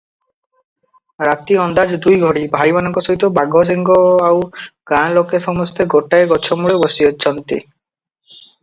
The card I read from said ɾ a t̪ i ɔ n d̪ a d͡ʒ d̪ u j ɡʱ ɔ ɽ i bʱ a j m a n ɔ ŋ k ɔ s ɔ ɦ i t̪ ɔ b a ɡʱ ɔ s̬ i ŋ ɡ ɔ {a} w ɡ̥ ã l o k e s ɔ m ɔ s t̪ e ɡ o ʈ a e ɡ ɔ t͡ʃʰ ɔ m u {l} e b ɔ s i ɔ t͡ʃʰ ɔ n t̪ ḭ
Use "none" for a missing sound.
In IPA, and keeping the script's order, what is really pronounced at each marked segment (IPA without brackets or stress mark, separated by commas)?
a, ɭ